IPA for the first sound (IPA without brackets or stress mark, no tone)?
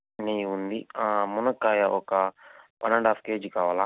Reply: n